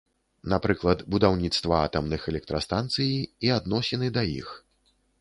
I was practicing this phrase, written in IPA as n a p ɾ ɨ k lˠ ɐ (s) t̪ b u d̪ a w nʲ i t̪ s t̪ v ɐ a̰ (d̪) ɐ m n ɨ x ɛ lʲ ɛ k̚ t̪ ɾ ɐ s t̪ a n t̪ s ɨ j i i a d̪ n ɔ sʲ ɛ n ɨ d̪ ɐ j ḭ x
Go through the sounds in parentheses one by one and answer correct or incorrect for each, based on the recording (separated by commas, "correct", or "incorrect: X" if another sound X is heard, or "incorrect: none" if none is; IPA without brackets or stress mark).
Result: incorrect: none, incorrect: t̪